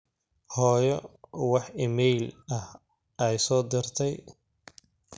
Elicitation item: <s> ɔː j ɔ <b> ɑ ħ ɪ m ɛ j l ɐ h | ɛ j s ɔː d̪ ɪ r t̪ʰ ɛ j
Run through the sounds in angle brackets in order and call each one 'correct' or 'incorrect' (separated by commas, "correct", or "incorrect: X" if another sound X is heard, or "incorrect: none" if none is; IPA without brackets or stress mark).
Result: incorrect: h, incorrect: w